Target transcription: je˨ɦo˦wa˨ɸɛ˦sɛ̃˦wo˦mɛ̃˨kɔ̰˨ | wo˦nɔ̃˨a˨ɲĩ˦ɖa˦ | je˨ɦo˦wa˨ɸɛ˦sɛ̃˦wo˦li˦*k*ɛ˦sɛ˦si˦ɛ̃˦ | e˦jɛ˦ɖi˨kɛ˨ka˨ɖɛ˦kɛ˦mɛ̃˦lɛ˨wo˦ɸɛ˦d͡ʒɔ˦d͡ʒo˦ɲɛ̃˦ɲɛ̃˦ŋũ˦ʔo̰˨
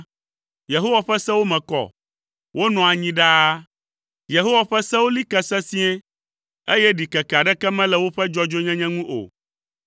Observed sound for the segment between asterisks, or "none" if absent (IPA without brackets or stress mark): k